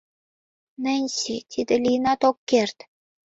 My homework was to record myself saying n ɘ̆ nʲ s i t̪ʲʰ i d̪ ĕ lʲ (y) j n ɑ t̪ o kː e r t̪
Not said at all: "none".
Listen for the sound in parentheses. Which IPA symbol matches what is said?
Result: i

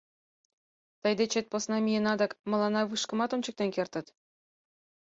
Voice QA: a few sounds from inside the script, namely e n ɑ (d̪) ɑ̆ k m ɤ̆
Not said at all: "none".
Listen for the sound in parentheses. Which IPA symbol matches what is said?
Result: d̪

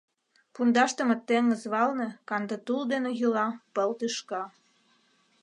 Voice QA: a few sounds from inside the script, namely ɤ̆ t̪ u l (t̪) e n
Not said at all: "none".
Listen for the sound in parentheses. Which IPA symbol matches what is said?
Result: d̪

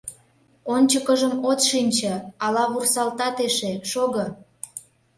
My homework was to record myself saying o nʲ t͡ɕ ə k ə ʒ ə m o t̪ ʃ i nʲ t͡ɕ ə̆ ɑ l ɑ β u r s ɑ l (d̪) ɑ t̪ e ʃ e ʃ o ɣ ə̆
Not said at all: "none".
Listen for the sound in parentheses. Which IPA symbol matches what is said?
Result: t̪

